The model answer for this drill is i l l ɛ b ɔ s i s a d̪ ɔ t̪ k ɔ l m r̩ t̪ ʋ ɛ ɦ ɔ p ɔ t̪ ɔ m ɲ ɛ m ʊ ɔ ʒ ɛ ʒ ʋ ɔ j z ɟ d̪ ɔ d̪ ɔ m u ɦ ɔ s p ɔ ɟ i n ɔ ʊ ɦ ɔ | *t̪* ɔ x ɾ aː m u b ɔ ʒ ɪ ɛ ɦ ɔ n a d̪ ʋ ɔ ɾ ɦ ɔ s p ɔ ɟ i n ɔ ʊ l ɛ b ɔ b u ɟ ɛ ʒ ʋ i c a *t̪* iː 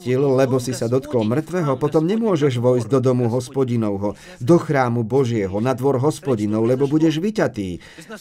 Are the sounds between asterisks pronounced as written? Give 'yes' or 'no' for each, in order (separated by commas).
no, yes